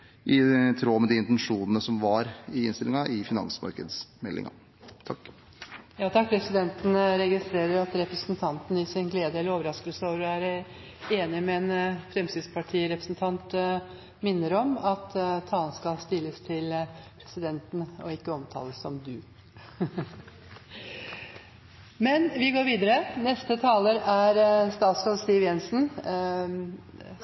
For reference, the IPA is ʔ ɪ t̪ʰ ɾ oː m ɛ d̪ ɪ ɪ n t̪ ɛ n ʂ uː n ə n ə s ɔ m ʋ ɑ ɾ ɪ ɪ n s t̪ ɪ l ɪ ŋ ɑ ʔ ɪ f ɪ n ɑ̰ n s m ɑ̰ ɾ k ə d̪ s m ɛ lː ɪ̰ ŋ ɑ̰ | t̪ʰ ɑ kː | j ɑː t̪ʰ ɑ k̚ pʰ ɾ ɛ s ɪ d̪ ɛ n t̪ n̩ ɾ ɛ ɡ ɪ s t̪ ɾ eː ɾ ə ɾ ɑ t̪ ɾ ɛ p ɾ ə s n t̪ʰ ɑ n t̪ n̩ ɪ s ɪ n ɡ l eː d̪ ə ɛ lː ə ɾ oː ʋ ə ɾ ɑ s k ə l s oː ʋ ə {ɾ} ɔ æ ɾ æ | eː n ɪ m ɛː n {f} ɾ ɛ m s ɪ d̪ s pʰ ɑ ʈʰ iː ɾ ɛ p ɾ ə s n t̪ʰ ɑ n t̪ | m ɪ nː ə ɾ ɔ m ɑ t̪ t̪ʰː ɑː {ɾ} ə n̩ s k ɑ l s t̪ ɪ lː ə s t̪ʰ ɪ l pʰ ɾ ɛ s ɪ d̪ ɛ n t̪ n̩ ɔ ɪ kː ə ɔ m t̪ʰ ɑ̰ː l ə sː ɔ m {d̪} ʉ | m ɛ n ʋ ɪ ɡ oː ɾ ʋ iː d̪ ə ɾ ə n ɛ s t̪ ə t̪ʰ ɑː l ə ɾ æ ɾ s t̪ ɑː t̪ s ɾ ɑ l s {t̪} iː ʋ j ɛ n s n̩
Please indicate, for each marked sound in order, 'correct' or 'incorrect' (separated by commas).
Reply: correct, correct, incorrect, correct, correct